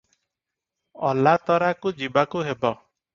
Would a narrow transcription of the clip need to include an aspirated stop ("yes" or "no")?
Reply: no